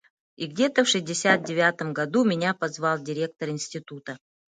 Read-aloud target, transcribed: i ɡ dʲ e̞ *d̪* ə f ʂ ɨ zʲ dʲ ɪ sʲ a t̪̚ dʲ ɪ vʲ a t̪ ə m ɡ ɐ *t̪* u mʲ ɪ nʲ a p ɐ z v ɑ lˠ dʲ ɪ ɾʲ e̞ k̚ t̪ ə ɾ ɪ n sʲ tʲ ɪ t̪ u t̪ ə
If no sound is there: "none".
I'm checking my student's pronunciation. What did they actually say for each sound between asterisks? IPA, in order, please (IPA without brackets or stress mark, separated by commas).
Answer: t̪, d̪